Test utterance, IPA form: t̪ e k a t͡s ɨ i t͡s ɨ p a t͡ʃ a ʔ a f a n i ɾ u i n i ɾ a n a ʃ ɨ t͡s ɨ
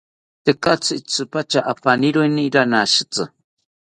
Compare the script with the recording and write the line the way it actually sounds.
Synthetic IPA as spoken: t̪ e k a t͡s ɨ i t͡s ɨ p a t͡ʃ a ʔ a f a n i ɾ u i n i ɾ a n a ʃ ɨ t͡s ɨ